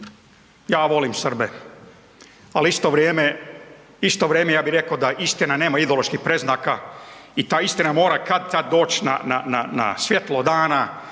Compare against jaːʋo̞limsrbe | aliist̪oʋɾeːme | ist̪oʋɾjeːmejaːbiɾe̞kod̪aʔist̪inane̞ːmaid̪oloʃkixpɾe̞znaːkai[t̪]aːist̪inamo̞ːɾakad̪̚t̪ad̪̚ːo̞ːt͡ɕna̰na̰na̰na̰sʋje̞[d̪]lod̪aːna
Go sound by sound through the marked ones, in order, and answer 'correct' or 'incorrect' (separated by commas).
correct, incorrect